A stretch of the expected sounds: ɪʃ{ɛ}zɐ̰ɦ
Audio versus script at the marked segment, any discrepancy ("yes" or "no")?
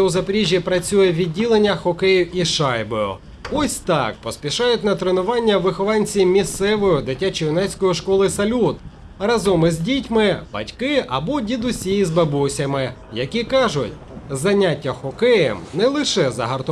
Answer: no